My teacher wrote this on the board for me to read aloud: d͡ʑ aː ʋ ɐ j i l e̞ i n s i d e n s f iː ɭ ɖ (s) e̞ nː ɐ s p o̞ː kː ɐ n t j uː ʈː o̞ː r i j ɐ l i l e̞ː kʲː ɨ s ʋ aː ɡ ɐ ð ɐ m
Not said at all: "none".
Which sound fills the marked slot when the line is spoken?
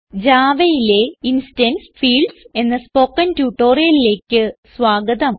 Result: s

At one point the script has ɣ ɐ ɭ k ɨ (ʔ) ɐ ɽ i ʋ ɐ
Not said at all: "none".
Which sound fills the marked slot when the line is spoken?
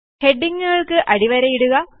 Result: ʔ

